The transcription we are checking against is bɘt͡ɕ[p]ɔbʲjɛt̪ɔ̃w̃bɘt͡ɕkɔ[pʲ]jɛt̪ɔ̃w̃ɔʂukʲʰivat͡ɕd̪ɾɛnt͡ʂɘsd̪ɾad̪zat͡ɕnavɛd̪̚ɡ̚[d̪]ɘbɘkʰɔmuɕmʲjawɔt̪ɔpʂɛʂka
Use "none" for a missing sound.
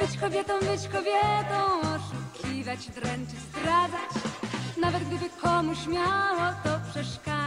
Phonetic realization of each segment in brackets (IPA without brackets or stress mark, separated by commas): k, bʲ, d̪